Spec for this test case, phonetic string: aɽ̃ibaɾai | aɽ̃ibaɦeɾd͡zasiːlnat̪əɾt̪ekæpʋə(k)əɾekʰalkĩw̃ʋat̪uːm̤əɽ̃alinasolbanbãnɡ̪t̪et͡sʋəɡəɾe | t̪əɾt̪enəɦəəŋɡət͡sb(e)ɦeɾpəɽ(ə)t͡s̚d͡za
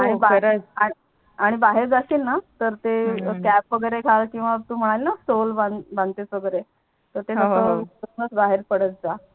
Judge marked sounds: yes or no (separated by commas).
no, no, yes